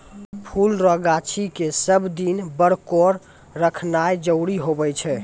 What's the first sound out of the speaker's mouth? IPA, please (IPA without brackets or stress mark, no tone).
pʰ